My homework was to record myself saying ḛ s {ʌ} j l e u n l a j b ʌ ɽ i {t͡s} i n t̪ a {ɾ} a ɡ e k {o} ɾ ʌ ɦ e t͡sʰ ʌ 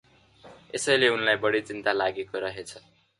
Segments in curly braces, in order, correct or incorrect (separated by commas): correct, correct, incorrect, correct